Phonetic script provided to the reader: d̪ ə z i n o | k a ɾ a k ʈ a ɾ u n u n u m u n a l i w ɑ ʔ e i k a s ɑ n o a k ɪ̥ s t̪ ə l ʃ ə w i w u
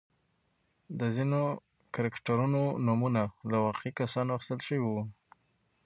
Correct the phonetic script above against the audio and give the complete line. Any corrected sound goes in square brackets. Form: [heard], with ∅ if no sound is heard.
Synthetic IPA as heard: d̪ ə z i n o | k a ɾ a k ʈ a ɾ u n [o] n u m u n a l [a] w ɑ [q] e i k a s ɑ n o a [x] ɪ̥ s t̪ ə l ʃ ə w i w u